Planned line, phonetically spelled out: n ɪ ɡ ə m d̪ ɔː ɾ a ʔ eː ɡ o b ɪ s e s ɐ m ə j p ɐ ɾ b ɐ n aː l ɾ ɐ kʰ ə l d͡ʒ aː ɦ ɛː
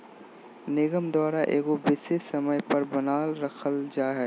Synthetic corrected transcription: n ɪ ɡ ə m d̪ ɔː ɾ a ʔ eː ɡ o b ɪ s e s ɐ m ə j p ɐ ɾ b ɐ n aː l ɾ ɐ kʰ ə l d͡ʒ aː ɦ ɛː